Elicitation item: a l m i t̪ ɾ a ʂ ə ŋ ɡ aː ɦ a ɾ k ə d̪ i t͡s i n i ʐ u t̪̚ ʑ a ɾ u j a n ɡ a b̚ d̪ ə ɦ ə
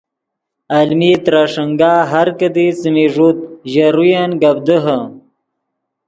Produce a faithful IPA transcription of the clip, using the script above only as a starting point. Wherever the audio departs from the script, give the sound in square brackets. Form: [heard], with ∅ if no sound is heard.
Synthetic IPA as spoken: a l m i t̪ ɾ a ʂ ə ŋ ɡ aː ɦ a ɾ k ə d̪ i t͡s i [m] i ʐ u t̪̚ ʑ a ɾ u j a n ɡ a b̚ d̪ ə ɦ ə